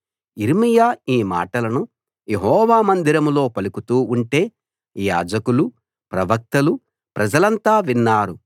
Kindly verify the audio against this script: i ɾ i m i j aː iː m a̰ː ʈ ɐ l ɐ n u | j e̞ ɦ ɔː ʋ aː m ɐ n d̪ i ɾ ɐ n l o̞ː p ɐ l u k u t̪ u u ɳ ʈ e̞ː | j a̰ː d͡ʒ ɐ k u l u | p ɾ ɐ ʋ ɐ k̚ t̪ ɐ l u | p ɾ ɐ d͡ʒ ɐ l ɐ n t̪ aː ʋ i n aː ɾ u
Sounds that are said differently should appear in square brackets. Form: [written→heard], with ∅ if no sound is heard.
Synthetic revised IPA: i ɾ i m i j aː iː m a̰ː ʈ ɐ l ɐ n u | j e̞ ɦ ɔː ʋ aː m ɐ n d̪ i ɾ ɐ [n→m] l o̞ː p ɐ l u k u t̪ [u→uː] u ɳ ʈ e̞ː | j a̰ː d͡ʒ ɐ k u l u | p ɾ ɐ ʋ ɐ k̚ t̪ ɐ l u | p ɾ ɐ d͡ʒ ɐ l ɐ n t̪ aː ʋ i [n→nː] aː ɾ u